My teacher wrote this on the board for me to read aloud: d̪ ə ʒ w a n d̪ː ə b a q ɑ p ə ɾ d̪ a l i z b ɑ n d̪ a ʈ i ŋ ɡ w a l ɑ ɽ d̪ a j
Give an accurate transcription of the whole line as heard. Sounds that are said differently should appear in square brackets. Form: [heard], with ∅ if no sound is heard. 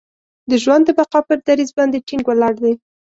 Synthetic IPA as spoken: d̪ ə ʒ w a n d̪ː ə b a q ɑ p ə ɾ d̪ a [ɾ] i z b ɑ n d̪ [e] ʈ i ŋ ɡ w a l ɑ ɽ d̪ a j